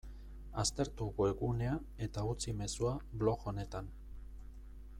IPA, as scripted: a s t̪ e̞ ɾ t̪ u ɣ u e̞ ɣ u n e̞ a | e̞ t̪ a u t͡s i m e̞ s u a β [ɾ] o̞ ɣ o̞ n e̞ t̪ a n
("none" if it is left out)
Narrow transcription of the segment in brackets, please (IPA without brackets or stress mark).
l